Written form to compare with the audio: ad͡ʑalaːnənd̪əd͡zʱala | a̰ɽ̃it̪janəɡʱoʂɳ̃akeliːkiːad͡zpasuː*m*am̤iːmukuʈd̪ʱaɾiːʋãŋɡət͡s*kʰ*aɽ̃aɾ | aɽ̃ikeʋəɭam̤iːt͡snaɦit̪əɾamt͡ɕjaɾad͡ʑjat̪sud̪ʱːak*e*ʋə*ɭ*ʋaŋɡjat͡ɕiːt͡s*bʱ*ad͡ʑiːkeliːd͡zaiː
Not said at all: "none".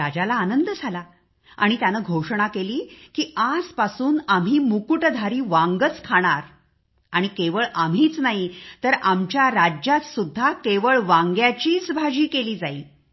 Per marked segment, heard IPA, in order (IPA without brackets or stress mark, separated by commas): n, kʰ, e, ɭ, bʱ